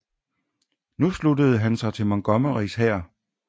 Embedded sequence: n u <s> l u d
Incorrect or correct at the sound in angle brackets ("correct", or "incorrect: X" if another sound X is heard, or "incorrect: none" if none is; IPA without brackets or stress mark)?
correct